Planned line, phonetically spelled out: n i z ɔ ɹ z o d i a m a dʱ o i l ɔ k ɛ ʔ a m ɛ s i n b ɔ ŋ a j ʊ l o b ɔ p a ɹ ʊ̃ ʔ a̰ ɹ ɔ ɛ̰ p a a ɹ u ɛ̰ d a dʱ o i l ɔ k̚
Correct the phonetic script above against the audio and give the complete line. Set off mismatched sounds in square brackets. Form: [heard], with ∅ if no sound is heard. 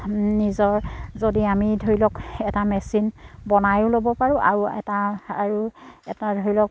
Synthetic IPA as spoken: n i z ɔ ɹ z o d i a m [i] dʱ o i l ɔ k ɛ [t] a m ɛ s i n b ɔ [n] a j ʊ l o b ɔ p a ɹ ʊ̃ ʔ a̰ ɹ [u] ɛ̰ [t] a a ɹ u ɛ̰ [t] a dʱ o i l ɔ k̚